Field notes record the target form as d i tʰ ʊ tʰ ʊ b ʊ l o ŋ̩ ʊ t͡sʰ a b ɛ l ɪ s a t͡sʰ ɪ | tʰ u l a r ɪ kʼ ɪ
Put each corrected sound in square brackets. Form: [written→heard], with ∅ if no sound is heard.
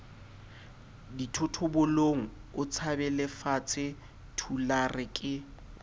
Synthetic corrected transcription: d i tʰ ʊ tʰ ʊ b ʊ l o ŋ̩ ʊ t͡sʰ a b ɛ l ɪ [s→f] a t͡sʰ ɪ | tʰ u l a r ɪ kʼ ɪ

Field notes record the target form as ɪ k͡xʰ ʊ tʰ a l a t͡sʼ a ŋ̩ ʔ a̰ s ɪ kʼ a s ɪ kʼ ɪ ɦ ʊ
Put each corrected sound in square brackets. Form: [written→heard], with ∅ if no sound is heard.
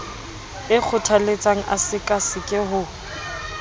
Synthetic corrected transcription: ɪ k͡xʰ ʊ tʰ a l [a→e] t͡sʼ a ŋ̩ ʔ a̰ s ɪ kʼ a s ɪ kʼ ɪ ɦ ʊ

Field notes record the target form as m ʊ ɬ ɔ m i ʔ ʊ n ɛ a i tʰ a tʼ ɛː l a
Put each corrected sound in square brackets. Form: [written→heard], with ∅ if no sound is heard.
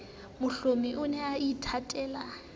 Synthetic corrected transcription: m ʊ ɬ [ɔ→o] m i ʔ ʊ n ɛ a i tʰ a tʼ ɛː l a

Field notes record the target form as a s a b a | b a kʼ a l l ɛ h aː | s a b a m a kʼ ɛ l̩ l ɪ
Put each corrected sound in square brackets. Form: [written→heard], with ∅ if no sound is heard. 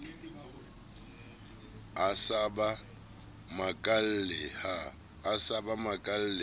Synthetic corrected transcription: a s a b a | [b→m] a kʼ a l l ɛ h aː | s a b a m a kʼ [ɛ→a] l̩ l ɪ

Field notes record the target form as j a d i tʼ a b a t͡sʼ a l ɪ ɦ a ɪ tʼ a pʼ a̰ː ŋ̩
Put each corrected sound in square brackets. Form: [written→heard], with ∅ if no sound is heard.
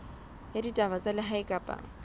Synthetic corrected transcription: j a d i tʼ a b a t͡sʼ a l ɪ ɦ a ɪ [tʼ→kʼ] a pʼ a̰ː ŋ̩

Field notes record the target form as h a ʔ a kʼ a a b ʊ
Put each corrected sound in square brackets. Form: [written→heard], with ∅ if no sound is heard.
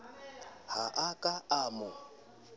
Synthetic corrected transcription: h a ʔ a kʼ a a [b→m] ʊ

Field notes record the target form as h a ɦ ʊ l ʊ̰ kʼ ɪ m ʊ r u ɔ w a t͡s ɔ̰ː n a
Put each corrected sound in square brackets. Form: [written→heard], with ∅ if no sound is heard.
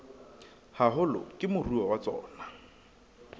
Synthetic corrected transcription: h a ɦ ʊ l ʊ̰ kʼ ɪ m ʊ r u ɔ w a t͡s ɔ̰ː n a

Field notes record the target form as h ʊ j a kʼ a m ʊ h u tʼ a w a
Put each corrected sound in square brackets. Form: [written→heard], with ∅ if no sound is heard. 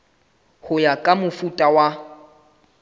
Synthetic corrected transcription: h ʊ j a kʼ a m ʊ [h→f] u tʼ a w a

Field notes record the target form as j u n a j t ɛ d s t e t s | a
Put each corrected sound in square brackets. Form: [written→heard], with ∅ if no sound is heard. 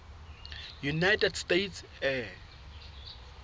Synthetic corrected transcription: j u n a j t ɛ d s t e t s | [a→ɛ]

